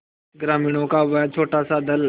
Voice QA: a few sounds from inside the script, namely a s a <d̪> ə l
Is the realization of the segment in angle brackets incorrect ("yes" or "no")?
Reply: no